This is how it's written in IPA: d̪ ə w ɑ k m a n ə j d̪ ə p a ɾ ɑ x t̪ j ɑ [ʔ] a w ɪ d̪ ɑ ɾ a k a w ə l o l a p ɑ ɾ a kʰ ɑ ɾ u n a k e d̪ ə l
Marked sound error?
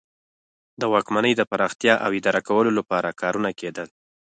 no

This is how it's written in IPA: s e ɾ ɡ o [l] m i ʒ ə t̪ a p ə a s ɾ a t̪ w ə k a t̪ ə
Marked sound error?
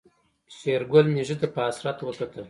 no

